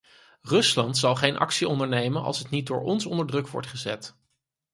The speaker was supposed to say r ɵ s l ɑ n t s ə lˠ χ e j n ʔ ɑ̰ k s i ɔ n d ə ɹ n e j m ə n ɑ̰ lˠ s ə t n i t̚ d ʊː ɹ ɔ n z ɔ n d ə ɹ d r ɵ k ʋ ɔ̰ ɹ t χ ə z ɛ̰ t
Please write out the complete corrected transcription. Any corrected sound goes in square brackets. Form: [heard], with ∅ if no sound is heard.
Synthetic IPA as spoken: r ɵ s l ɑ n t s [ɑ] lˠ χ e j n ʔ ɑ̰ k s i ɔ n d ə ɹ n e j m ə n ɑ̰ lˠ s ə t n i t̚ d ʊː ɹ ɔ n [s] ɔ n d ə ɹ d r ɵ k ʋ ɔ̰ ɹ t χ ə z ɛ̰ t